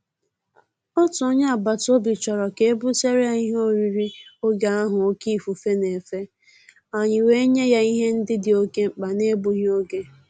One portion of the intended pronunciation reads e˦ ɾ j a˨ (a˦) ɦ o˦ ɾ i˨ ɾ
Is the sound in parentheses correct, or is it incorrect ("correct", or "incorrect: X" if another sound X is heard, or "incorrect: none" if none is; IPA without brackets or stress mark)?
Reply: incorrect: i˦